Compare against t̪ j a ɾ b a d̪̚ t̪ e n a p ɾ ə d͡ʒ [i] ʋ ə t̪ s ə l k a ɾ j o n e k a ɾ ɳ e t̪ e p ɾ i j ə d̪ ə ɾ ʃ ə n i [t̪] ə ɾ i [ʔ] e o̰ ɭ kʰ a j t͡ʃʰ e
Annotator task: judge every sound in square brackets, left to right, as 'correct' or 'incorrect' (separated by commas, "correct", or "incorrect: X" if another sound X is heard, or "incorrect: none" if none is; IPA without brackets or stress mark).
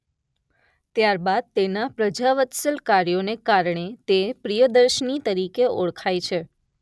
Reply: incorrect: a, correct, incorrect: k